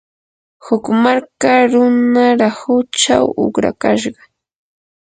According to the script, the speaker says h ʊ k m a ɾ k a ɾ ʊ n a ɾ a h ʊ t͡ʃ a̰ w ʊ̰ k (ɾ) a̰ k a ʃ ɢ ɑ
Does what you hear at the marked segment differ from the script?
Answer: no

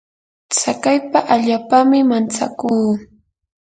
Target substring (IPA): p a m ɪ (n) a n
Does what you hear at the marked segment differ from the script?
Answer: yes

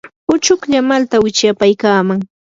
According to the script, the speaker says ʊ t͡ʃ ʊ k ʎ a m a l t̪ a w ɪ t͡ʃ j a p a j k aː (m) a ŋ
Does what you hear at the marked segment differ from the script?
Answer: no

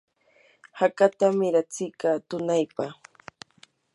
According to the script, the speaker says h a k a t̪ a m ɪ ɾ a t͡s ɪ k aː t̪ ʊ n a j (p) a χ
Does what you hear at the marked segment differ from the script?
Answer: no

